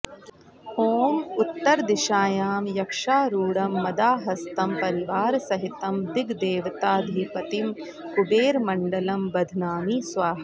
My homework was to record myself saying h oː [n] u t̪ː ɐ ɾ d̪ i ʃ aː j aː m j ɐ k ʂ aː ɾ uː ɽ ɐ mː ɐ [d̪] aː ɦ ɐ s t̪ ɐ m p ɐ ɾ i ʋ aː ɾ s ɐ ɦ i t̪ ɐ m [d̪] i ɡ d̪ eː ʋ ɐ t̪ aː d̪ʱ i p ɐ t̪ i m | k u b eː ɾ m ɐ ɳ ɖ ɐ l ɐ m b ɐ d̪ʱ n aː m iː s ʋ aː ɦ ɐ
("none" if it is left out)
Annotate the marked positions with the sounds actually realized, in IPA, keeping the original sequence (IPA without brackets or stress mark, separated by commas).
m, d̪, d̪